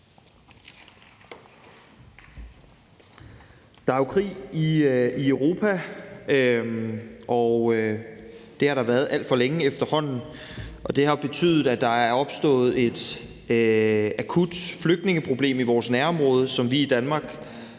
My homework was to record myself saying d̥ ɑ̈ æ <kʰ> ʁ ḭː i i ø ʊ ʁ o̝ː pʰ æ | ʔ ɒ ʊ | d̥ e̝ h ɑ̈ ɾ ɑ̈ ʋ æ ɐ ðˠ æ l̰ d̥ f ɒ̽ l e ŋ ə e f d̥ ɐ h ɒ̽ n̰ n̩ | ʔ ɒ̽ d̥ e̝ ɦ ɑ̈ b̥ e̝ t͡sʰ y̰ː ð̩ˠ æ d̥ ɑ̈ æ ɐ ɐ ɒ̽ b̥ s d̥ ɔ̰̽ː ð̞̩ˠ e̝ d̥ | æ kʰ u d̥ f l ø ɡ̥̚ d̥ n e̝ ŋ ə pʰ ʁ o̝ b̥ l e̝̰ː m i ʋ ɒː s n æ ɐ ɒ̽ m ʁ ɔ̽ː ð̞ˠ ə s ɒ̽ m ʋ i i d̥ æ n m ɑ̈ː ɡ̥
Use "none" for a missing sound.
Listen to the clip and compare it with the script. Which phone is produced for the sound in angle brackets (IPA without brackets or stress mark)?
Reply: kʰ